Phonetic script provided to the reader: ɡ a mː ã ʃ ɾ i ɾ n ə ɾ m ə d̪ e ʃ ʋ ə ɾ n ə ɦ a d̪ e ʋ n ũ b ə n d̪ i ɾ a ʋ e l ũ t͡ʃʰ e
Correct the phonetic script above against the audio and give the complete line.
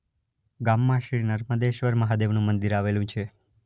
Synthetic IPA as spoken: ɡ a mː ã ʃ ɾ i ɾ n ə ɾ m ə d̪ e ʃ ʋ ə ɾ m ə ɦ a d̪ e ʋ n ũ m ə n d̪ i ɾ a ʋ e l ũ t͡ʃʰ e